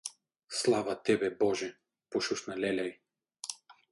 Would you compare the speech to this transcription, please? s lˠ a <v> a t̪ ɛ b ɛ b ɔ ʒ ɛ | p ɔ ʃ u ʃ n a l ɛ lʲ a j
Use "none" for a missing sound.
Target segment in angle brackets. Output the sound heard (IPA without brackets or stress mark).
v